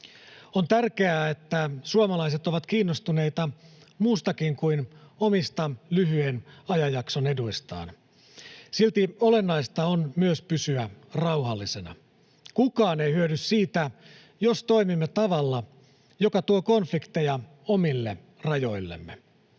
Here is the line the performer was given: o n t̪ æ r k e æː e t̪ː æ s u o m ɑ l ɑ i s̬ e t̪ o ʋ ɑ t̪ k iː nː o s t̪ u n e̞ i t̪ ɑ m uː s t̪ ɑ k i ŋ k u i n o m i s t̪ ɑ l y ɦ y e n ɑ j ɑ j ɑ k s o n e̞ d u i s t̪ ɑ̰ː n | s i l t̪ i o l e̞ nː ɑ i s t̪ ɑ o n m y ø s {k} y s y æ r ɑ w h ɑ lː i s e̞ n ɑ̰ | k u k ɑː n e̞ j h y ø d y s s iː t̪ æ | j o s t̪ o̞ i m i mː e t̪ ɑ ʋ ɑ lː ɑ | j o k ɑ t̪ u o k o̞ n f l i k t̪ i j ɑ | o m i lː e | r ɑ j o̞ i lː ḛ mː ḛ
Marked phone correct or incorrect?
incorrect: p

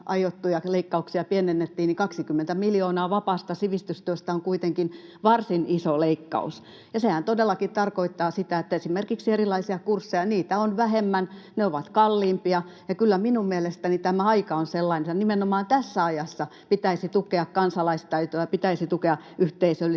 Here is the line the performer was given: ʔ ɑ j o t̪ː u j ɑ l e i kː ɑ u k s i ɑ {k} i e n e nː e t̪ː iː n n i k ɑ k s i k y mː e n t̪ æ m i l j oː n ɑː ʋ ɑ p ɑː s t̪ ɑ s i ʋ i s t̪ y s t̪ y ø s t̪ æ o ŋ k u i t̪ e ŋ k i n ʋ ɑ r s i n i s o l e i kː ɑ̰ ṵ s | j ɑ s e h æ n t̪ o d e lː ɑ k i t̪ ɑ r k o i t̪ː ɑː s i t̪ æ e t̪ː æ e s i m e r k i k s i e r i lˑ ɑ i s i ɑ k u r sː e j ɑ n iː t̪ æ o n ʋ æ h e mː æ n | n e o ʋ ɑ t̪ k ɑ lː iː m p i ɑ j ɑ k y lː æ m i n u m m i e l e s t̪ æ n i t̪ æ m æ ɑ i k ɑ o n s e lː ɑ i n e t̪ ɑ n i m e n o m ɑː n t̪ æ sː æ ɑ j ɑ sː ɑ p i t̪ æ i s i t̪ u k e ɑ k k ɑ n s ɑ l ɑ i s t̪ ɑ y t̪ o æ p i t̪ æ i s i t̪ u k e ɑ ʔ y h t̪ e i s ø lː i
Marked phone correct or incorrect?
incorrect: p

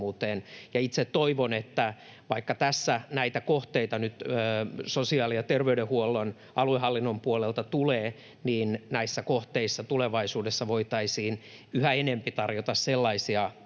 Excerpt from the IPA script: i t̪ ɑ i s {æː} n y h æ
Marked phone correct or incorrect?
incorrect: iː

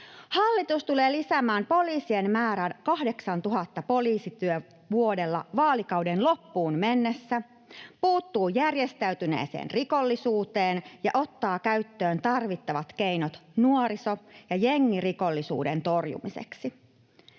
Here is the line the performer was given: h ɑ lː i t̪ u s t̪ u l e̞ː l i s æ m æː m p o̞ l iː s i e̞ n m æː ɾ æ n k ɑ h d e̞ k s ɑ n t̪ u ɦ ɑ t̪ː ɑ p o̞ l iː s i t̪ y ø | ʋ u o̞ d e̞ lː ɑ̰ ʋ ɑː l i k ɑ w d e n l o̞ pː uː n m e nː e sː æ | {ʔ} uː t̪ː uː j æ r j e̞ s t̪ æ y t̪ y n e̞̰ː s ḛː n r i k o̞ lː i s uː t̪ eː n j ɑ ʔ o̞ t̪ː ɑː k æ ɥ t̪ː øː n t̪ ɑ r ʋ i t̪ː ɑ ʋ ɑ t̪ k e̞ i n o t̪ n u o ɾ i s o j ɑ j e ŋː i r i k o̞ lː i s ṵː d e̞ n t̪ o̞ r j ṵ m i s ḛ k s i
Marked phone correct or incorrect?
incorrect: p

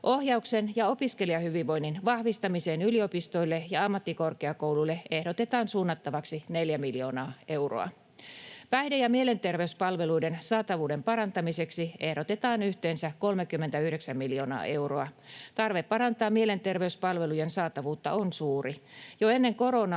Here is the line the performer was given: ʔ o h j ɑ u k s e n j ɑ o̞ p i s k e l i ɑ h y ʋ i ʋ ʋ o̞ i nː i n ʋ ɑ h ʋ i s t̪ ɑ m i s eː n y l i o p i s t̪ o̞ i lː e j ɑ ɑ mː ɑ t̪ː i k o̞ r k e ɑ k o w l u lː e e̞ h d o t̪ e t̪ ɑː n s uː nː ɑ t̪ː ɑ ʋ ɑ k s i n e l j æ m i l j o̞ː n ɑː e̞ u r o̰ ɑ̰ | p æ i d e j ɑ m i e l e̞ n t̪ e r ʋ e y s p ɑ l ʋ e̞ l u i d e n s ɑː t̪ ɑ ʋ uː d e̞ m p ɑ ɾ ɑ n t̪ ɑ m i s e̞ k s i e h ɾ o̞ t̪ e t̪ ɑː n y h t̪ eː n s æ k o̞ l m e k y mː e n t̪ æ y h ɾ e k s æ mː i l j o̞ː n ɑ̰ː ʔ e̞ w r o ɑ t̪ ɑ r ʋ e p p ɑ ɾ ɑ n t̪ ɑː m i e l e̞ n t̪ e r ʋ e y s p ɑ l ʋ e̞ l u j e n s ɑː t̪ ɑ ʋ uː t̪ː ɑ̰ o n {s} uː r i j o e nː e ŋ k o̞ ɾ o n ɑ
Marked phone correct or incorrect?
correct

